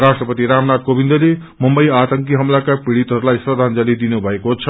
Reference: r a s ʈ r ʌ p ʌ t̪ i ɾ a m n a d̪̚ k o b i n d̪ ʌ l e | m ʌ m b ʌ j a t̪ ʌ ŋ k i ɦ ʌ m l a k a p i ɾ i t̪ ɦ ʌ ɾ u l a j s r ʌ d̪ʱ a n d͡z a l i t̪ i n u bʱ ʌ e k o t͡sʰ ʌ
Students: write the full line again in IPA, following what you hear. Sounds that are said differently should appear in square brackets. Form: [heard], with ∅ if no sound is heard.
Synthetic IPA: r a s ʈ r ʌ p ʌ t̪ i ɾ a m n a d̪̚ k o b i n d̪ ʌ l e | m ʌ m b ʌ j a t̪ ʌ ŋ k i ɦ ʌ m l a k a p i [ɽ] i t̪ ɦ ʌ ɾ u l a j s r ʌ d̪ʱ a n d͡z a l i [d̪] i n u bʱ ʌ e k o t͡sʰ ʌ